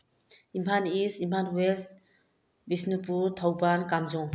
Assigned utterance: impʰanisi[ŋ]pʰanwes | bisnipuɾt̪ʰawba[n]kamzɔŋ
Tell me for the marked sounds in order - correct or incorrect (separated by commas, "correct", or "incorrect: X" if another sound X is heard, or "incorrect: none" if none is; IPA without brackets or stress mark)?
incorrect: m, correct